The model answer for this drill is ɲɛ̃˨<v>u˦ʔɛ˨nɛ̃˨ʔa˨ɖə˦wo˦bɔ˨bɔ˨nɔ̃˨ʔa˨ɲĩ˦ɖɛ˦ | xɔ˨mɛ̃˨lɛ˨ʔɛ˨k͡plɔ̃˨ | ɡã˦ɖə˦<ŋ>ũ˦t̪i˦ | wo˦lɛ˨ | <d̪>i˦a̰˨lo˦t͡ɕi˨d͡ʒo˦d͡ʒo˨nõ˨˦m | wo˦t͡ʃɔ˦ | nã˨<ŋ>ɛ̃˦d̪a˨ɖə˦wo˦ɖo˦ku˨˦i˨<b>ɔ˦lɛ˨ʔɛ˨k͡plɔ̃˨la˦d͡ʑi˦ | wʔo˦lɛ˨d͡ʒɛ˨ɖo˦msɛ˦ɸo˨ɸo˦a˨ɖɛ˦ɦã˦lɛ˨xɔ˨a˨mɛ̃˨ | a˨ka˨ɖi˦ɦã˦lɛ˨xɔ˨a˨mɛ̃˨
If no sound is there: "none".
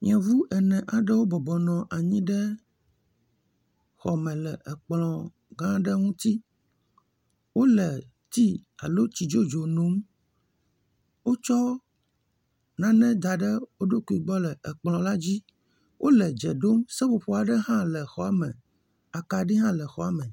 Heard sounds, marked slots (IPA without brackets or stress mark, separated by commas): v, ŋ, t̪, n, ɡ͡b